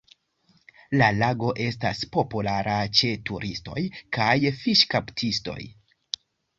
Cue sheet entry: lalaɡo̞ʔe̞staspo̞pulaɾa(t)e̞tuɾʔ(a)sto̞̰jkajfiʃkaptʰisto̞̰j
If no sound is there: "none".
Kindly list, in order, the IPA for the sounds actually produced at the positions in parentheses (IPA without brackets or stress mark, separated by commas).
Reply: t͡ʃ, i